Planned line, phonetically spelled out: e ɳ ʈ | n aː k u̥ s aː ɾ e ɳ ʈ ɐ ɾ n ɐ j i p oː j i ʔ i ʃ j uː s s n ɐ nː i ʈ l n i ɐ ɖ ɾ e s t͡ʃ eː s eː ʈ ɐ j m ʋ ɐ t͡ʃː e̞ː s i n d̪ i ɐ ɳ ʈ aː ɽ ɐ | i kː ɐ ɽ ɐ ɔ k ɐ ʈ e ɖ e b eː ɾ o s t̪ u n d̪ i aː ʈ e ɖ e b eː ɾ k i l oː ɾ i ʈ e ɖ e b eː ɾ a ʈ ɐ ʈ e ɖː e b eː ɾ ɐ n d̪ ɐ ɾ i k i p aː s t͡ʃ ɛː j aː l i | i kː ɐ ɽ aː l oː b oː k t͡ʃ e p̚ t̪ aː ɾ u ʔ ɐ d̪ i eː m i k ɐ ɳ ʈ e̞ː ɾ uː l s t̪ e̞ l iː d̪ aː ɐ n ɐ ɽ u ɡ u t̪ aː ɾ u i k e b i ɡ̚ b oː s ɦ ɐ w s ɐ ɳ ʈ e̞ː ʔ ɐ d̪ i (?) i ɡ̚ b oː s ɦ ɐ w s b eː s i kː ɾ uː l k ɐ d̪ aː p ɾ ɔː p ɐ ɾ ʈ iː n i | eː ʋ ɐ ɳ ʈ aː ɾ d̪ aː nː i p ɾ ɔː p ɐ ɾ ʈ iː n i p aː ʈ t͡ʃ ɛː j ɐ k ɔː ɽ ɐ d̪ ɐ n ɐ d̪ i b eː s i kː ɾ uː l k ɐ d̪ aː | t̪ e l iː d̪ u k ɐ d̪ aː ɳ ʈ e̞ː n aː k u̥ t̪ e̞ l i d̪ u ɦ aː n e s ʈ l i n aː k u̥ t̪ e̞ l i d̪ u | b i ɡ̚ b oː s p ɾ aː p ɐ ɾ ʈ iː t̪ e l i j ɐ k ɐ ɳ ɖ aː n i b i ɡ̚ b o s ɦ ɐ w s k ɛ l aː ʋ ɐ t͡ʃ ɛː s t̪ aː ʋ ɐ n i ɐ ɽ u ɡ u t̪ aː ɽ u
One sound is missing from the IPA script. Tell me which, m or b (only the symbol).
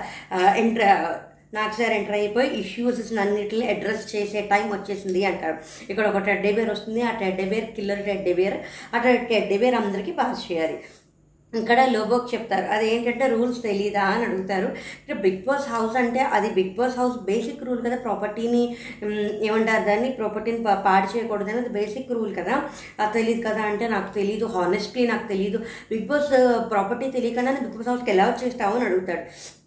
b